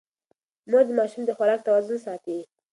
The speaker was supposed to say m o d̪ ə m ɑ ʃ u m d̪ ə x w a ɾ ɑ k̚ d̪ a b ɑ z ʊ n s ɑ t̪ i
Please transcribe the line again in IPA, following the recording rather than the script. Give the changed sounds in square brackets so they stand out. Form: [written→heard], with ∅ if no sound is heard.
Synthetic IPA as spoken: m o d̪ ə m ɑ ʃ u m d̪ ə x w a ɾ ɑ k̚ [d̪→t̪] a [b→w] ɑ z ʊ n s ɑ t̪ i